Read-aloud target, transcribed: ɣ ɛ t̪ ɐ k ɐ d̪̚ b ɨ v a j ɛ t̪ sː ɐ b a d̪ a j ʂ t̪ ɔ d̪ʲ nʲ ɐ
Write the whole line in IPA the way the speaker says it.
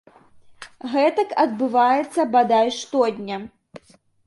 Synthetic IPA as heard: ɣ ɛ t̪ ɐ k ɐ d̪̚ b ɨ v a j ɛ t̪ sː ɐ b a d̪ a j ʂ t̪ ɔ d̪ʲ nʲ ɐ